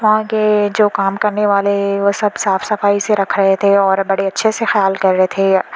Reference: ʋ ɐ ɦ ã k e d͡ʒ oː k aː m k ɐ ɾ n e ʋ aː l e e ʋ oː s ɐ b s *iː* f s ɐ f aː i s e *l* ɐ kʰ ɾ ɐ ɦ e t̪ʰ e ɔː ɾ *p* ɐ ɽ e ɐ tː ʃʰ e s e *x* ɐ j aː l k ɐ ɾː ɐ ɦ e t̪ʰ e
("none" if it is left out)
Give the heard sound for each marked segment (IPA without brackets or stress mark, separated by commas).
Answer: aː, ɾ, b, x